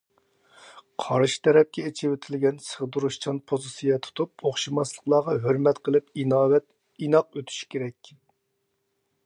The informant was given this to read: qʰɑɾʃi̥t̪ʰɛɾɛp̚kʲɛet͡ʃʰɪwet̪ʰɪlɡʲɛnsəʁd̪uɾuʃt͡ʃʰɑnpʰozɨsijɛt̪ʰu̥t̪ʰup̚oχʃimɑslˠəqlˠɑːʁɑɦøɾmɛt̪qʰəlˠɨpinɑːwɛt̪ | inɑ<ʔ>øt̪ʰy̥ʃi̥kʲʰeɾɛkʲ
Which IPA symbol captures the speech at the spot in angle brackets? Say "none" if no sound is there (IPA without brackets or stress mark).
q